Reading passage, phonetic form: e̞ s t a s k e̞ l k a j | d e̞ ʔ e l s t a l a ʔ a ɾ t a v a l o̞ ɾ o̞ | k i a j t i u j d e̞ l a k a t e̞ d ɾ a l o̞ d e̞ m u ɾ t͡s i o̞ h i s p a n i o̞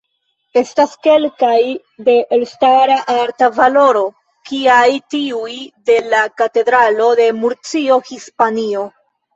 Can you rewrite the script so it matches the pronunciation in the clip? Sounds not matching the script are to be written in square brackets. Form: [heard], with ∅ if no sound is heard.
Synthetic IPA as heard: e̞ s t a s k e̞ l k a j | d e̞ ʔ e l s t a [ɾ] a ʔ a ɾ t a v a l o̞ ɾ o̞ | k i a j t i u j d e̞ l a k a t e̞ d ɾ a l o̞ d e̞ m u ɾ t͡s i o̞ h i s p a n i o̞

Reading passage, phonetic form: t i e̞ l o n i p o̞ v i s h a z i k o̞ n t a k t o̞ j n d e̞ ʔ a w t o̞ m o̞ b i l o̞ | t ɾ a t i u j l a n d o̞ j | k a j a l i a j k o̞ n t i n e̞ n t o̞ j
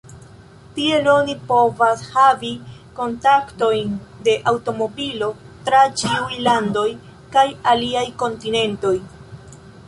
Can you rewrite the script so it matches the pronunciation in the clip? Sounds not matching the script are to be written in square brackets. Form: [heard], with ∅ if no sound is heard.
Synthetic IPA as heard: t i e̞ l o n i p o̞ v [a] s h a [v] i k o̞ n t a k t o̞ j n d e̞ ʔ a w t o̞ m o̞ b i l o̞ | t ɾ a [t͡ʃ] i u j l a n d o̞ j | k a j a l i a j k o̞ n t i n e̞ n t o̞ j

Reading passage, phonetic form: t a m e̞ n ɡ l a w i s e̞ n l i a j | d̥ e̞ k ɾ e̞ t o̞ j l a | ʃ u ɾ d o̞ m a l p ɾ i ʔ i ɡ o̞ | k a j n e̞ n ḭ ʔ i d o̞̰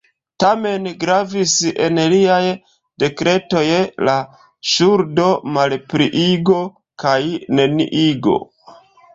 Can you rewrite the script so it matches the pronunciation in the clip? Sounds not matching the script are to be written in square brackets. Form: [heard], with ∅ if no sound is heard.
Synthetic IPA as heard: t a m e̞ n ɡ [ɾ] a [v] i s e̞ n l i a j | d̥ e̞ k ɾ e̞ t o̞ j l a | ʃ u ɾ d o̞ m a l p ɾ i ʔ i ɡ o̞ | k a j n e̞ n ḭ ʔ i [ɡ] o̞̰

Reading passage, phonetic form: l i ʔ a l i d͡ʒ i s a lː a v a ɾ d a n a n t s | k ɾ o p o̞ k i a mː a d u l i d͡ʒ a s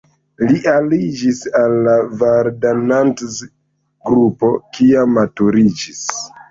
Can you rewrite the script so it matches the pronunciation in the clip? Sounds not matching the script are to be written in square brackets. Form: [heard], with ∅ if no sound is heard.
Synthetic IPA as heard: l i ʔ a l i d͡ʒ i s a lː a v a ɾ d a n a n t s | [ɡ] ɾ [u] p o̞ k i a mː a [t] u [ɾ] i d͡ʒ [i] s

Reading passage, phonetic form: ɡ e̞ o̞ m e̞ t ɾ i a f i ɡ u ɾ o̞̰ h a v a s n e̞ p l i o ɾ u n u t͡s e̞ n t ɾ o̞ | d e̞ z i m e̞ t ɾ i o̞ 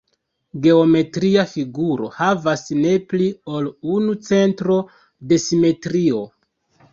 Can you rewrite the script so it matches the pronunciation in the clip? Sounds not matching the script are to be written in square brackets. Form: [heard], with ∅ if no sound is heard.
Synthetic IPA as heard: ɡ e̞ o̞ m e̞ t ɾ i a f i ɡ u ɾ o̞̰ h a v a s n e̞ p l i o [l] u n u t͡s e̞ n t ɾ o̞ | d e̞ [s] i m e̞ t ɾ i o̞

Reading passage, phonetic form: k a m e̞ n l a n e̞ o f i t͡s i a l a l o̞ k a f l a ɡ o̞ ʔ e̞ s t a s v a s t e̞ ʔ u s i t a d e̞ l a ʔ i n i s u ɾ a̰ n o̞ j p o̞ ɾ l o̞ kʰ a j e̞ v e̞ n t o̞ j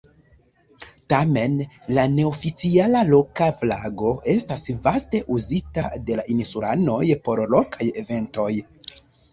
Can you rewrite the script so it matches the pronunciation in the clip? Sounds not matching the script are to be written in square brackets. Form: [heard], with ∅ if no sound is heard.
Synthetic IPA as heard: [t] a m e̞ n l a n e̞ o f i t͡s i a l a l o̞ k a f l a ɡ o̞ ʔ e̞ s t a s v a s t e̞ ʔ u [z] i t a d e̞ l a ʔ i n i s u ɾ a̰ n o̞ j p o̞ ɾ l o̞ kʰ a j e̞ v e̞ n t o̞ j

